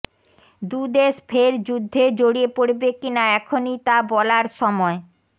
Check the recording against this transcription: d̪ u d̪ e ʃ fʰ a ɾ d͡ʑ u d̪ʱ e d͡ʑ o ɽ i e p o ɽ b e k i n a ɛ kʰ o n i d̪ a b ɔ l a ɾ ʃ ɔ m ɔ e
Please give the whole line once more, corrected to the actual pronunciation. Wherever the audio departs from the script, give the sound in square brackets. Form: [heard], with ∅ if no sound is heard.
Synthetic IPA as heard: d̪ u d̪ e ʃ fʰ [e] ɾ d͡ʑ u [d̪ʱː] e d͡ʑ o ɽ i e p o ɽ b e k i n a ɛ kʰ o n i [t̪] a b ɔ l a ɾ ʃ ɔ m ɔ e